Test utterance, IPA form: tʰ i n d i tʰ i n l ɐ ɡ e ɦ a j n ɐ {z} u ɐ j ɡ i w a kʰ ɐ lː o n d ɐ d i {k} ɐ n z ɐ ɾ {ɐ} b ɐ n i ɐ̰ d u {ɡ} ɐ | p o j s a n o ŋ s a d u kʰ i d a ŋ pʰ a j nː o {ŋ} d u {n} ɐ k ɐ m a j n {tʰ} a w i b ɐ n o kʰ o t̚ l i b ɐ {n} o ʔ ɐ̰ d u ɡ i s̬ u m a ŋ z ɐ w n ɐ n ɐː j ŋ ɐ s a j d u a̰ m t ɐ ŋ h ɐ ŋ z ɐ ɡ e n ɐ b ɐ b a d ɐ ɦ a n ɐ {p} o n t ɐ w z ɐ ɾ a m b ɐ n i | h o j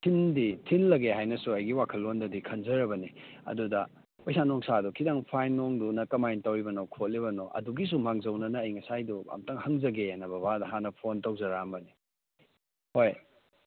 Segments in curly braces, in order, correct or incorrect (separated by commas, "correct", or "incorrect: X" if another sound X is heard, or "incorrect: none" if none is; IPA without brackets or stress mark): incorrect: s, incorrect: kʰ, correct, incorrect: d, correct, correct, incorrect: t, correct, incorrect: pʰ